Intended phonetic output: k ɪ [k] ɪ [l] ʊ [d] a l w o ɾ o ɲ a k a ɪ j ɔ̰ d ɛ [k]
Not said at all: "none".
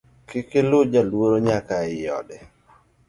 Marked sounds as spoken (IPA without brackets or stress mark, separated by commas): k, l, d͡ʒ, none